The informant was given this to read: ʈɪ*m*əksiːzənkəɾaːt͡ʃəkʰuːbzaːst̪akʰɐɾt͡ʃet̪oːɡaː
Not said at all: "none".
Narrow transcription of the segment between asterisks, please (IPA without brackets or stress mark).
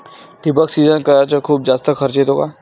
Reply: b